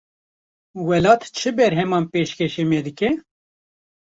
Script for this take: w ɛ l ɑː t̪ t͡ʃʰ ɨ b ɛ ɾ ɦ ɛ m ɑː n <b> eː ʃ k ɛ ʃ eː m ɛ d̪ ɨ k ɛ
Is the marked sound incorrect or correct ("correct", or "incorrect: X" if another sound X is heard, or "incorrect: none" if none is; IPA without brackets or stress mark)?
incorrect: p